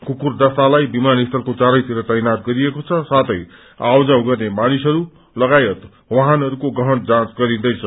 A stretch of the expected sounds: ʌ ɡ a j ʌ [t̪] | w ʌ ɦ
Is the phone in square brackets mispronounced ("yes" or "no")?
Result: no